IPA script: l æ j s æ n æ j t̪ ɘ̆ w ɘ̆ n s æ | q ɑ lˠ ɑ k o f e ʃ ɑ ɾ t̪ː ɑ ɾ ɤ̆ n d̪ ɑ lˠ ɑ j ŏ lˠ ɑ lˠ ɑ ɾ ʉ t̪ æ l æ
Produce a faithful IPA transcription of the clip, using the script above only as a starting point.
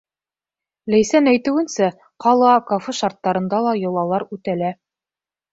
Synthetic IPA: l æ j s æ n æ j t̪ ɘ̆ w ɘ̆ n s æ | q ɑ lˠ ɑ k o f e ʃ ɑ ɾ t̪ː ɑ ɾ ɤ̆ n d̪ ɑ lˠ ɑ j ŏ lˠ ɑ lˠ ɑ ɾ ʉ t̪ æ l æ